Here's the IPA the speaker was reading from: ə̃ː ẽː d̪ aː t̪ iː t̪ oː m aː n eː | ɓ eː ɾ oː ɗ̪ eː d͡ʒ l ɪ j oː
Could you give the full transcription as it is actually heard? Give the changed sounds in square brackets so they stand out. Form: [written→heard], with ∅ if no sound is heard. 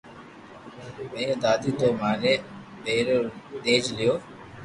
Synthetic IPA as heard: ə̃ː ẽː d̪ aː [t̪→d̪] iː t̪ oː m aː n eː | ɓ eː ɾ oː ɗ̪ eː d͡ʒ l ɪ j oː

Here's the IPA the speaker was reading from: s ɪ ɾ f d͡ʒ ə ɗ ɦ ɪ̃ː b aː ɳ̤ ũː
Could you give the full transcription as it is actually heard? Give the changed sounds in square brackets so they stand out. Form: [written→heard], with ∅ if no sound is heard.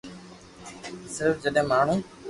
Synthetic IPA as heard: s ɪ ɾ f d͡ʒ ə ɗ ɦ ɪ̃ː [b→m] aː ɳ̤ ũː

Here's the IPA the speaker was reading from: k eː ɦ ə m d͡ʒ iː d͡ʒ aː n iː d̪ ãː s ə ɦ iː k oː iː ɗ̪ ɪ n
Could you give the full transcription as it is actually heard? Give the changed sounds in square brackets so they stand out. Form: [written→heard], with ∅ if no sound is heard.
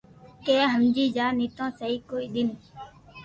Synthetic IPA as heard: k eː ɦ ə m d͡ʒ iː d͡ʒ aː n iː [d̪→t̪] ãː s ə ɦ iː k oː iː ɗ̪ ɪ n

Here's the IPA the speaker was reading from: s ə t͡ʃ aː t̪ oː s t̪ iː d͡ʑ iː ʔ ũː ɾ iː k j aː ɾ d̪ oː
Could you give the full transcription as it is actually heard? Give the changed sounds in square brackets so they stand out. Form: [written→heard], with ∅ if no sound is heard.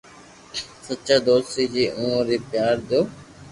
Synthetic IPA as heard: s ə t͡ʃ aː [t̪→d̪] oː s t̪ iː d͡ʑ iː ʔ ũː ɾ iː [k→p] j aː ɾ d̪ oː

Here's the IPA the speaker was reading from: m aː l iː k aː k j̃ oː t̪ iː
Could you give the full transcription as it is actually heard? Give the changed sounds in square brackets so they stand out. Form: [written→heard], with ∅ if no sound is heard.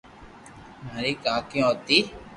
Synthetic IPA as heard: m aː [l→ɾ] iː k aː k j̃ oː t̪ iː

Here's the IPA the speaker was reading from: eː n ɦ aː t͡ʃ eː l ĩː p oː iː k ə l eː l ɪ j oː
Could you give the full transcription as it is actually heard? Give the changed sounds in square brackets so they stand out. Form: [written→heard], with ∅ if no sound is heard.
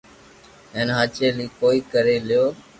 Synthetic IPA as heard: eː n ɦ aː t͡ʃ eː l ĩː [p→k] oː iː k ə [l→ɾ] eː l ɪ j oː

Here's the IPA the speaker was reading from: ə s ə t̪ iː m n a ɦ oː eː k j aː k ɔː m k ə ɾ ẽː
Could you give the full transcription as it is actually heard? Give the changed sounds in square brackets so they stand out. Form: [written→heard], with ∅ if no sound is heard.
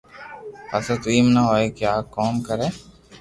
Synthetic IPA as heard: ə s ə t̪ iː m n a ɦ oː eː k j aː k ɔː m k ə ɾ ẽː

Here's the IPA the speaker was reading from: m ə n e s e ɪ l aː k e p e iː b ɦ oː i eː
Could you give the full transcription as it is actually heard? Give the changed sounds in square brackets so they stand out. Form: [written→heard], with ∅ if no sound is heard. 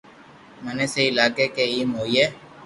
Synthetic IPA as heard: m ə n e s e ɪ l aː k e [p→k] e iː [b→m] ɦ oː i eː

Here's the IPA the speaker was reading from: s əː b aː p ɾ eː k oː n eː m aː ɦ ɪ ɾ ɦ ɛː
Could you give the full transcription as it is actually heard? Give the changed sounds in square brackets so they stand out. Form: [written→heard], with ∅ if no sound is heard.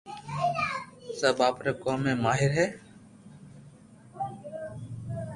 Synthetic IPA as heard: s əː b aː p ɾ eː k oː [n→m] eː m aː ɦ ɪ ɾ ɦ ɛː

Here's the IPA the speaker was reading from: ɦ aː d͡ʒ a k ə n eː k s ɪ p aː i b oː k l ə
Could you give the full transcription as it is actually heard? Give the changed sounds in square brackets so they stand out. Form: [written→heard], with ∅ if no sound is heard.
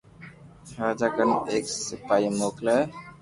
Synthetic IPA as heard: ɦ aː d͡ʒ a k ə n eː k s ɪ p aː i [b→m] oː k l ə

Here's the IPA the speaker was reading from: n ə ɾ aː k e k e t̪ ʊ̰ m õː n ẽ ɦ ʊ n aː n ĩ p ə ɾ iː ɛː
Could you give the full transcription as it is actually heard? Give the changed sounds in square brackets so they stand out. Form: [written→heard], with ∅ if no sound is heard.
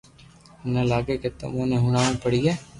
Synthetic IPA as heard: n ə [ɾ→l] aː [k→ɡ] e k e t̪ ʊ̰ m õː n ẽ ɦ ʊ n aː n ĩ p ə [ɾ→ɽ] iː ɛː

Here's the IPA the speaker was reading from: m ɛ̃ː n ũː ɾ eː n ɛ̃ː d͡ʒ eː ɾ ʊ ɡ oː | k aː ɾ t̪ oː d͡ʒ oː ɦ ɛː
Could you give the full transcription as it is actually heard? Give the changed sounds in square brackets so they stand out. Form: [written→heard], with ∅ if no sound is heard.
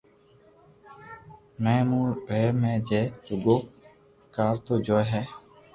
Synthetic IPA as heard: m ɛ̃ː [n→m] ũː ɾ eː [n→m] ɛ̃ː d͡ʒ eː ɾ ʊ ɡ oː | k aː ɾ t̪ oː d͡ʒ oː ɦ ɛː

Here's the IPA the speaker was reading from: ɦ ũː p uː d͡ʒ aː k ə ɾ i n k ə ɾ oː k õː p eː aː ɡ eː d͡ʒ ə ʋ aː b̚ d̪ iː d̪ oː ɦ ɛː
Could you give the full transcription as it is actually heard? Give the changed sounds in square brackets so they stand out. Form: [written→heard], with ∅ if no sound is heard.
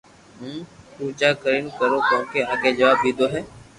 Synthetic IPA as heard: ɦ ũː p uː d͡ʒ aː k ə ɾ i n k ə ɾ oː k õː [p→k] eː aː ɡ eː d͡ʒ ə ʋ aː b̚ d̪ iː d̪ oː ɦ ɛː

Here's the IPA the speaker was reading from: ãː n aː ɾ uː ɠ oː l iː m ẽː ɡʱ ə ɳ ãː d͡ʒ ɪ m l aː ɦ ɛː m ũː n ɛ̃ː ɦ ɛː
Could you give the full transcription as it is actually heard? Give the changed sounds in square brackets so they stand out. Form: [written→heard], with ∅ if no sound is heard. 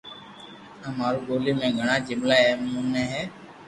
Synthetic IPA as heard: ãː [n→m] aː ɾ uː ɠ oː l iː m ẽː ɡʱ ə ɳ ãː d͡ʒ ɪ m l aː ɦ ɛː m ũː n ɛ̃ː ɦ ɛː

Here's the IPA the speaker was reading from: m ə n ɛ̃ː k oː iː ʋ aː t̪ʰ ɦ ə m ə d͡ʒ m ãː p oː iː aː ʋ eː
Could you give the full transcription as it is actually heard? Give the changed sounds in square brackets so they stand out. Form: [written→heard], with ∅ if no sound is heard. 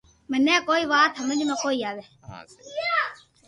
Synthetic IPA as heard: m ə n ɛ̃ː k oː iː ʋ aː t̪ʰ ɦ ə m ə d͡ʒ m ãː [p→k] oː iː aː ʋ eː

